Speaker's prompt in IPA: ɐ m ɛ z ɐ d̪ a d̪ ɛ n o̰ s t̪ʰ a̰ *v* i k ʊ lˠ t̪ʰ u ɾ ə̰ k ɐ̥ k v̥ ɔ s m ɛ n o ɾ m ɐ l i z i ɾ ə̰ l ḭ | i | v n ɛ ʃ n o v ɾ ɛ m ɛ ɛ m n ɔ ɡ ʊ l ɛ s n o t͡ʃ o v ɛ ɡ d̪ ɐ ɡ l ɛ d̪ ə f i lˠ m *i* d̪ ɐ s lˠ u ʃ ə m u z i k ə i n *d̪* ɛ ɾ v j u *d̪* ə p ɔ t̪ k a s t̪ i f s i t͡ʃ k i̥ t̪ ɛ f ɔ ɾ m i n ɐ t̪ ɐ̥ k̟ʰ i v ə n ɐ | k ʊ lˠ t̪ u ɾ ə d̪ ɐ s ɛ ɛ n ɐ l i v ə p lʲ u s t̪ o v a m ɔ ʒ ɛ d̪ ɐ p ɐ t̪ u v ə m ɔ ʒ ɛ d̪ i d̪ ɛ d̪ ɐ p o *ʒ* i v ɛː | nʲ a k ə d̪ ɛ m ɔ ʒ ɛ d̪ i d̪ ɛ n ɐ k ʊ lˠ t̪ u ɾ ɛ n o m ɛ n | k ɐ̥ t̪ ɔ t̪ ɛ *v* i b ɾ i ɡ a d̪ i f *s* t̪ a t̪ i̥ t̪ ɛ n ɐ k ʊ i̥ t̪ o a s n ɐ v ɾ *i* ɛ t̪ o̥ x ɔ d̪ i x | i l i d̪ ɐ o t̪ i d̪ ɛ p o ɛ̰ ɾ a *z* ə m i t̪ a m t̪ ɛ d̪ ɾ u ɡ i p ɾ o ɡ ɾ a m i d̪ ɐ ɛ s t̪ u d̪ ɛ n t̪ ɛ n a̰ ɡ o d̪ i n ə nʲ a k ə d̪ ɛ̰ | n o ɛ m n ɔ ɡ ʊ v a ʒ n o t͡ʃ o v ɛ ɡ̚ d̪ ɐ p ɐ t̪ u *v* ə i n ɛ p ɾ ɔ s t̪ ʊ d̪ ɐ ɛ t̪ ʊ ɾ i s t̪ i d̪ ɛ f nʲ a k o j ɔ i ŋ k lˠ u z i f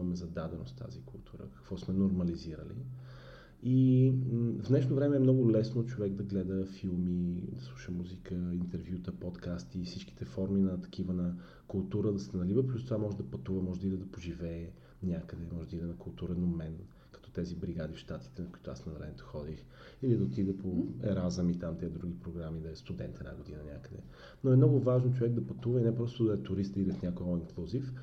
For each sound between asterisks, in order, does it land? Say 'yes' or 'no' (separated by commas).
no, yes, no, no, yes, no, no, no, yes, yes